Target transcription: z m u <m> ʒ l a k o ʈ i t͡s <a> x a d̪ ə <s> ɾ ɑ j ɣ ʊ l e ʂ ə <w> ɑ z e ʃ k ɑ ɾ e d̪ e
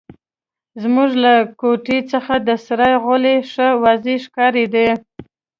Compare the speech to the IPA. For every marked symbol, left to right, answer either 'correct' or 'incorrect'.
incorrect: none, incorrect: ə, correct, correct

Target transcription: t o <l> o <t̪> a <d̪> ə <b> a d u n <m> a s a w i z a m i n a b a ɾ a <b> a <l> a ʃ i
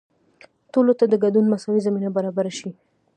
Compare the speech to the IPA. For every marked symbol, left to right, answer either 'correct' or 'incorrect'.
correct, correct, correct, incorrect: ɡ, correct, correct, incorrect: ɾ

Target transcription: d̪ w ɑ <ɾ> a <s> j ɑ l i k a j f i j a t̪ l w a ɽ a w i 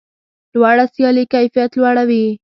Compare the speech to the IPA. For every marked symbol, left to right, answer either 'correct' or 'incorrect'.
incorrect: ɽ, correct

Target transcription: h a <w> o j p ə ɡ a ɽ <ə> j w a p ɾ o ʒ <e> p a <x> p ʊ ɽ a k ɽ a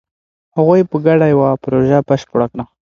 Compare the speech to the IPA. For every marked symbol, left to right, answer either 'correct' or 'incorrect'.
incorrect: ɣ, incorrect: a, incorrect: a, incorrect: ʃ

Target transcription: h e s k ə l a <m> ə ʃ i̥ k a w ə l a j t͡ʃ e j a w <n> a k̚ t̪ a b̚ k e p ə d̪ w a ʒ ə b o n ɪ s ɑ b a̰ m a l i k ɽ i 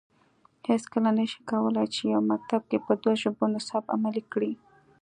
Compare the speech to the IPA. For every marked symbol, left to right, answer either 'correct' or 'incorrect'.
incorrect: n, incorrect: m

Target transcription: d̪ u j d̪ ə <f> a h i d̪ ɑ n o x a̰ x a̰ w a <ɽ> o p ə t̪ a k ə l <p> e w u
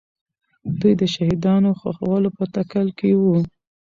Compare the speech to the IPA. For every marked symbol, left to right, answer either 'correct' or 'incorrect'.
incorrect: ʃ, incorrect: l, incorrect: k

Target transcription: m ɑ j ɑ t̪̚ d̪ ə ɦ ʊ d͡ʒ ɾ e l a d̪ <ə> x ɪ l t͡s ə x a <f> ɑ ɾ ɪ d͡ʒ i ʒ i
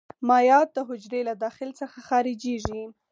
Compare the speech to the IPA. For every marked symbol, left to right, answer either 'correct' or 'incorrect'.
incorrect: ɑ, incorrect: x

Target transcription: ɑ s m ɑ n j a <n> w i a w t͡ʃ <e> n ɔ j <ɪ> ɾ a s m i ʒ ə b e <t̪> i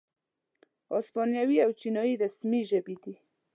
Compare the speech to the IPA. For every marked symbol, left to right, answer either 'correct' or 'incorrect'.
incorrect: none, incorrect: i, incorrect: i, incorrect: d̪

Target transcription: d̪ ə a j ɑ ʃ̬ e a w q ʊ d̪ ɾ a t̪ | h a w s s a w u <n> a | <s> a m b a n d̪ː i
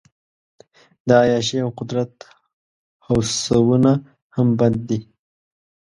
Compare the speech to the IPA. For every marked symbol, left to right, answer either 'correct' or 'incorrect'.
correct, incorrect: h

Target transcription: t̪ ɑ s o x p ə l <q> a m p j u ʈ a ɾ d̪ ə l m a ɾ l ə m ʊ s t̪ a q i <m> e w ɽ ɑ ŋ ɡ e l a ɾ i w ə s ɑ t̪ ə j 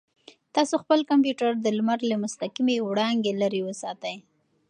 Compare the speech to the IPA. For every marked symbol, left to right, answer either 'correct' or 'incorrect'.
incorrect: k, correct

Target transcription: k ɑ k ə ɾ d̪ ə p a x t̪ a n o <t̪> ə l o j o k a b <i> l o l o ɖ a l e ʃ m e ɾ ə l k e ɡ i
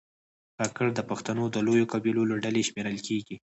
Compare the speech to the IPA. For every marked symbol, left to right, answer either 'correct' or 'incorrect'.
incorrect: d̪, correct

